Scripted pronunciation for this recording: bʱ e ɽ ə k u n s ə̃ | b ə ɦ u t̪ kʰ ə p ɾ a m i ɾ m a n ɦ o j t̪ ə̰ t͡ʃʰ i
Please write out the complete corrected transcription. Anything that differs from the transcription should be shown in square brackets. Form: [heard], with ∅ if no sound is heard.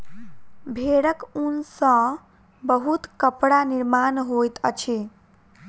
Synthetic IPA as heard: bʱ e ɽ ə k u n s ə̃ | b ə ɦ u t̪ [k] ə p [ɽ] a [n] i ɾ m a n ɦ o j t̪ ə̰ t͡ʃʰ i